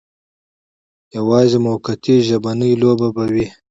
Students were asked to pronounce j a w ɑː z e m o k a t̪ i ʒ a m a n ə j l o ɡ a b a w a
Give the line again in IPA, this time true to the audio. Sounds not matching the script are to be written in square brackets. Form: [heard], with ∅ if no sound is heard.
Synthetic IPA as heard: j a w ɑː z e m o k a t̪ i ʒ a [b] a n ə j l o [b] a b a w [i]